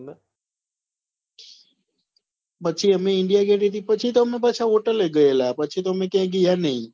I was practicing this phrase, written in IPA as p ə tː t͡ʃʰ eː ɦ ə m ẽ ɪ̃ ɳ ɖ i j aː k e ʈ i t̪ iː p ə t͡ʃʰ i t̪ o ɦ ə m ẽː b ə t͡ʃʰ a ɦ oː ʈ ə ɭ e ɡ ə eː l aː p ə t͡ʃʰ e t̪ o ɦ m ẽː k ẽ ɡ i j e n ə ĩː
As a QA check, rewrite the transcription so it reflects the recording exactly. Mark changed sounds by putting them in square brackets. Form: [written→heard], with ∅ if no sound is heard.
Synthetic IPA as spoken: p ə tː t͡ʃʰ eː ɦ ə m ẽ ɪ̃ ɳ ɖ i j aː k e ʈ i t̪ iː p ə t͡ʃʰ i t̪ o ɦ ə m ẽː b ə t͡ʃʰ a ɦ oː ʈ ə [ɭ→l] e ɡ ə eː l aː p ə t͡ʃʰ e t̪ o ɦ m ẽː k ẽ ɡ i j [e→a] n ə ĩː